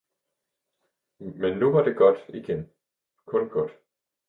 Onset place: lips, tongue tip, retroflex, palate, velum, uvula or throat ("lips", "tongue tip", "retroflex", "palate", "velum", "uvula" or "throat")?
lips